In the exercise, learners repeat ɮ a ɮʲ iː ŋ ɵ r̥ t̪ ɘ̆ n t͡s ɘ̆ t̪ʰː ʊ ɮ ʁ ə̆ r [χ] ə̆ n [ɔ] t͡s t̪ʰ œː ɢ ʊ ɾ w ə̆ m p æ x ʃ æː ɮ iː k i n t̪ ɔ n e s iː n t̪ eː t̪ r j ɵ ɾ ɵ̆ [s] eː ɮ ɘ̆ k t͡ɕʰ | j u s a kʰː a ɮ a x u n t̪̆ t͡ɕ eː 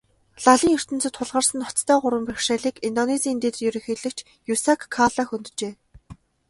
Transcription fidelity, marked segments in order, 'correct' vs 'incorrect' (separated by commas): incorrect, correct, incorrect